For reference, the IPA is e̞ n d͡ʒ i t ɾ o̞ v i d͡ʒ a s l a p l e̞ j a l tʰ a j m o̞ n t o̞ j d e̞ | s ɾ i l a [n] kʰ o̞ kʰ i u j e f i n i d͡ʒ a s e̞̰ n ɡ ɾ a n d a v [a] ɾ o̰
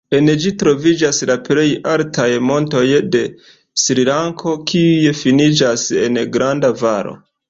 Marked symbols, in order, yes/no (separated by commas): no, yes